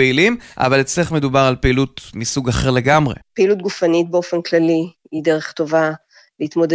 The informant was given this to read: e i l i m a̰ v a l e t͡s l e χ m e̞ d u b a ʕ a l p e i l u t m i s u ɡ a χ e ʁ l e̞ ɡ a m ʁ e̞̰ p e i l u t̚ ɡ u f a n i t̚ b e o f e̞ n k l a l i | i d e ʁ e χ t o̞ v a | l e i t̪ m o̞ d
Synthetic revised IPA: e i l i m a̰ v a l e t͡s l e χ m e̞ d u b a ʁ a l p e i l u t m i s u ɡ a χ e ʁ l e̞ ɡ a m ʁ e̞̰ p e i l u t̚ ɡ u f a n i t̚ b e o f e̞ n k l a l i | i d e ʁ e χ t o̞ v a | l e i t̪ m o̞ d